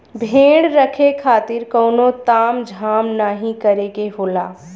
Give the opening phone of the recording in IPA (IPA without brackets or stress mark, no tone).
bʱ